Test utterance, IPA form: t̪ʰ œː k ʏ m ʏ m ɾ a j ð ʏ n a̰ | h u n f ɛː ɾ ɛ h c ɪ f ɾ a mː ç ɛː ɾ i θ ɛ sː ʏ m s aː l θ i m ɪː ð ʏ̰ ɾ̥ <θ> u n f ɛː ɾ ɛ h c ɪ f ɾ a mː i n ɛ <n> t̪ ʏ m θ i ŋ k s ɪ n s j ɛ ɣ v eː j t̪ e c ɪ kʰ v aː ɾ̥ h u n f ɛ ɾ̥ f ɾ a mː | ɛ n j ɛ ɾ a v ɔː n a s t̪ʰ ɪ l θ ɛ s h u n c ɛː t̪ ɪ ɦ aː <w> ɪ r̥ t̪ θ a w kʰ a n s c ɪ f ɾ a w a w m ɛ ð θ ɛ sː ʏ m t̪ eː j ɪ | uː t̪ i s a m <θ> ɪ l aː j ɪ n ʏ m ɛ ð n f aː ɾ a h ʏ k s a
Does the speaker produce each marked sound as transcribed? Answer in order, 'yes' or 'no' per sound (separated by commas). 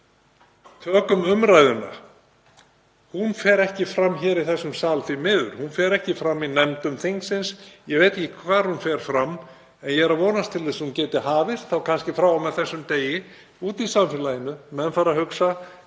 no, no, no, no